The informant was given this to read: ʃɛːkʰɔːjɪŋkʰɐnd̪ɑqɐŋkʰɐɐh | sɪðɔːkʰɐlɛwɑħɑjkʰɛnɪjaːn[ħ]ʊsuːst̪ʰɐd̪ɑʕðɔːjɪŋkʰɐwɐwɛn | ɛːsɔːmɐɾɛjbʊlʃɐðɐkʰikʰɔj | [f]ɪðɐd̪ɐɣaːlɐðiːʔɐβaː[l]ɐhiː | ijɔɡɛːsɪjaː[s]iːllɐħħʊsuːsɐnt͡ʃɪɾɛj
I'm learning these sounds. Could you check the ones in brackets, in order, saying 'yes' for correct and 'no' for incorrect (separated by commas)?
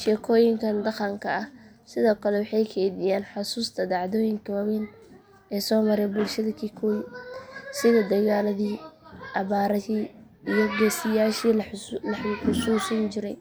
yes, no, no, no